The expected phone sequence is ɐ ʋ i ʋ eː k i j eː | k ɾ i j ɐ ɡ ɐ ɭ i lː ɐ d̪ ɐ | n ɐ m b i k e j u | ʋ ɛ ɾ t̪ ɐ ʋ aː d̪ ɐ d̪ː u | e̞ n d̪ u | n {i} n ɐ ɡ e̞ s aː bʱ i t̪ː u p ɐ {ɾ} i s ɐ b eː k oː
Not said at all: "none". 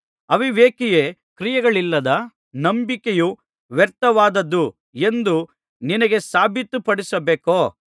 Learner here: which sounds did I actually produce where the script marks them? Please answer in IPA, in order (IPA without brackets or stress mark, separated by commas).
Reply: i, ɽ